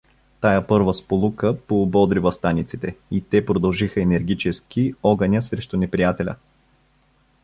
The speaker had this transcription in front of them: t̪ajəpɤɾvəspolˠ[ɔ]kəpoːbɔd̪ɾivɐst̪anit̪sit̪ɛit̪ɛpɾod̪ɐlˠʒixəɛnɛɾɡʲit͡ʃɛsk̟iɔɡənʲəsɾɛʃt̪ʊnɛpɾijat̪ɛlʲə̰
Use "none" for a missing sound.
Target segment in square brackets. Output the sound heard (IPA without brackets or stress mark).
u